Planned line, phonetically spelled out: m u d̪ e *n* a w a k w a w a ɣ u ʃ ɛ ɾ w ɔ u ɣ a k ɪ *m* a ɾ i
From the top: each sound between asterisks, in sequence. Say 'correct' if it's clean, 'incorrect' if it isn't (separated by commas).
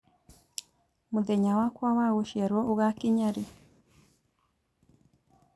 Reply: incorrect, incorrect